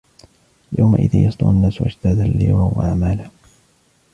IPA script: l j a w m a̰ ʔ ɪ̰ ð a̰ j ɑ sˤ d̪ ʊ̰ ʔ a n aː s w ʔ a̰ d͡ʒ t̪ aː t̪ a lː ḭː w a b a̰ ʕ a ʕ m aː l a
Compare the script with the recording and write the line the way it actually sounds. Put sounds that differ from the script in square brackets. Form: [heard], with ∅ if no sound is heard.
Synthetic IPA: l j a w m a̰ ʔ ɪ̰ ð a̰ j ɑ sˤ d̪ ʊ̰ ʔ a [nː] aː s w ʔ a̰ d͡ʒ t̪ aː [d̪] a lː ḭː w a [w] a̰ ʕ a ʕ m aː l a